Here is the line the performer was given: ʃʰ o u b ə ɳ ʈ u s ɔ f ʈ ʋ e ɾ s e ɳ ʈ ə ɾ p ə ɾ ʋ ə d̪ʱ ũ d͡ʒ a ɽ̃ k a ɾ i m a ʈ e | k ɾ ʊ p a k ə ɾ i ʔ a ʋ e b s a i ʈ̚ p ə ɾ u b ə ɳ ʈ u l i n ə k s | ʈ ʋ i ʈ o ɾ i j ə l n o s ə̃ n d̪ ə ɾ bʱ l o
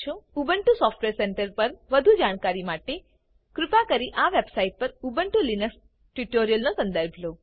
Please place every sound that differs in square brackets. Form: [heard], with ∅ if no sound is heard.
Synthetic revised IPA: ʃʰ o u b ə ɳ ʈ u s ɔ f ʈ ʋ e ɾ s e ɳ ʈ ə ɾ p ə ɾ ʋ ə d̪ʱ [u] d͡ʒ a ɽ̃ k a ɾ i m a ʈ e | k ɾ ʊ p a k ə ɾ i ʔ a ʋ e b s a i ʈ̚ p ə ɾ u b ə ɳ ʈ u l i n ə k s | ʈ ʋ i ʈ o ɾ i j ə l n o s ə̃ n d̪ ə ɾ bʱ l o

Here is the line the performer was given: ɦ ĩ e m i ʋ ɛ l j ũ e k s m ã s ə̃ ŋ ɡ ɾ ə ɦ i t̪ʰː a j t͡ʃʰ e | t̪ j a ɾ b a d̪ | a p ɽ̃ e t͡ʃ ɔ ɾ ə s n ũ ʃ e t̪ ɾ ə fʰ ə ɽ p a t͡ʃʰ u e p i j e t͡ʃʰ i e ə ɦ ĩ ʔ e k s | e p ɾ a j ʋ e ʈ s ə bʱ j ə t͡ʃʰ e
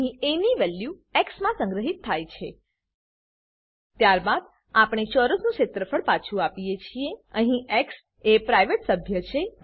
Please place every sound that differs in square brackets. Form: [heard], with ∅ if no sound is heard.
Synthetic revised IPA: ɦ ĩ e [n] i ʋ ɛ l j [u] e k s m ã s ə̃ ŋ ɡ ɾ ə ɦ i t̪ʰː a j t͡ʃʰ e | t̪ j a ɾ b a d̪ | a p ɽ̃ e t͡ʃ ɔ ɾ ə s n ũ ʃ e t̪ ɾ ə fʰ ə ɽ p a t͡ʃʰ u [a] p i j e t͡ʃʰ i e ə ɦ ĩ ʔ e k s | e p ɾ a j ʋ e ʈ s ə bʱ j ə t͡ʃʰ e

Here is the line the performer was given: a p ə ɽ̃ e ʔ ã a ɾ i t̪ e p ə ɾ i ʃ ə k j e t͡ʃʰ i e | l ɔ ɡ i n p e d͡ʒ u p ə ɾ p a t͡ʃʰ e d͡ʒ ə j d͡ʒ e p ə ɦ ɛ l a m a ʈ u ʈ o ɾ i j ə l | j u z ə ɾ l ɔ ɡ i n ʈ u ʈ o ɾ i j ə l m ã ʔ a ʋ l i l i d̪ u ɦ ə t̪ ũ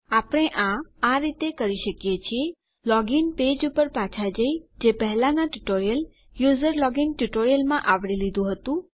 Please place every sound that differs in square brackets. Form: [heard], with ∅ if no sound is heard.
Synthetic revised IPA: a p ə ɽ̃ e ʔ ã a ɾ i t̪ e [k] ə ɾ i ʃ ə k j e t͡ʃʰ i e | l ɔ ɡ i n p e d͡ʒ u p ə ɾ p a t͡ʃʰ [a] d͡ʒ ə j d͡ʒ e p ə ɦ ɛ l a [n] a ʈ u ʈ o ɾ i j ə l | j u z ə ɾ l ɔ ɡ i n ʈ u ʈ o ɾ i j ə l m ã ʔ a ʋ [ɽ] i l i d̪ [ũ] ɦ ə t̪ ũ

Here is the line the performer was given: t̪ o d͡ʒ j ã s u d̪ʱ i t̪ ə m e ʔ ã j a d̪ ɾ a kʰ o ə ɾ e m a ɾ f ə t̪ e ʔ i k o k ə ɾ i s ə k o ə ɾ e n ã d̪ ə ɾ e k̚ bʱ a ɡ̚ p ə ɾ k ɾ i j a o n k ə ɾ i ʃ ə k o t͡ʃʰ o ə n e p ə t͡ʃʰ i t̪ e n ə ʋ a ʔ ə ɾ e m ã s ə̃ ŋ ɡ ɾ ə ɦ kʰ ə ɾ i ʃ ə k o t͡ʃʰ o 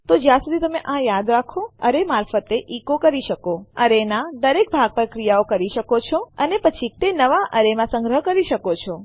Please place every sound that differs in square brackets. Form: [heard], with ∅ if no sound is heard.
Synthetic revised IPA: t̪ o d͡ʒ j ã s u d̪ʱ i t̪ ə m e ʔ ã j a d̪ ɾ a kʰ o ə ɾ e m a ɾ f ə t̪ e ʔ i k o k ə ɾ i [ʃ] ə k o ə ɾ e n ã d̪ ə ɾ e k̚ bʱ a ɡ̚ p ə ɾ k ɾ i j a o [∅] k ə ɾ i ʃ ə k o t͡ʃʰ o ə n e p ə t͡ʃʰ i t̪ e n ə ʋ a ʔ ə ɾ e m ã s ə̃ ŋ ɡ ɾ ə ɦ [k] ə ɾ i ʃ ə k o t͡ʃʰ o

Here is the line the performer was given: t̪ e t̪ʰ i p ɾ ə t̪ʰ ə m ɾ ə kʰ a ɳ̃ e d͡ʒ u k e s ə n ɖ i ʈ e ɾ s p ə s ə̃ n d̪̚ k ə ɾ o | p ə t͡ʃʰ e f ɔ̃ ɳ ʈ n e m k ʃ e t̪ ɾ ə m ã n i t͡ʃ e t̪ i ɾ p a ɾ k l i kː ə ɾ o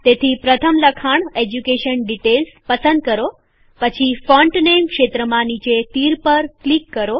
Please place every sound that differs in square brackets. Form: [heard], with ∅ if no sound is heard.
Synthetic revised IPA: t̪ e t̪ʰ i p ɾ ə t̪ʰ ə m [l] ə kʰ a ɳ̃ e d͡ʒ u k e [ʃ] ə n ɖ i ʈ e [l] s p ə s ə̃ n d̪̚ k ə ɾ o | p ə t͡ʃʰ [i] f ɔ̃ ɳ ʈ n e m k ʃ e t̪ ɾ ə m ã n i t͡ʃ e t̪ i ɾ p [ə] ɾ k l i kː ə ɾ o

